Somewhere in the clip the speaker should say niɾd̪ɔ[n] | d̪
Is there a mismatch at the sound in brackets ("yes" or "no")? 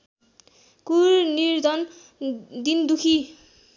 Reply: no